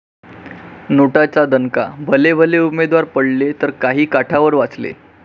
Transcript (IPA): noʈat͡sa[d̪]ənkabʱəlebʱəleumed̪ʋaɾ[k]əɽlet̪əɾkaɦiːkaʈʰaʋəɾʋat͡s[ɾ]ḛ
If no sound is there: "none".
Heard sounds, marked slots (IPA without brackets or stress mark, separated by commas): d̪, p, l